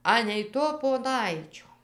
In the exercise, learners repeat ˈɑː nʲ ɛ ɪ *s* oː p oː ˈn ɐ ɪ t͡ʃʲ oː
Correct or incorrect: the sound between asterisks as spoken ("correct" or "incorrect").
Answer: incorrect